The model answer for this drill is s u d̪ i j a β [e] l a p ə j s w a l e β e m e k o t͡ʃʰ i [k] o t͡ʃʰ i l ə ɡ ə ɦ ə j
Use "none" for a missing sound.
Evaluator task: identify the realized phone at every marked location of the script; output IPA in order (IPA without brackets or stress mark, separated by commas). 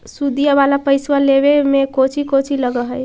a, k